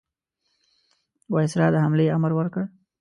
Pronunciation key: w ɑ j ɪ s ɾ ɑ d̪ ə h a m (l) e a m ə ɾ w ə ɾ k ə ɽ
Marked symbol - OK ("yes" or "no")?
yes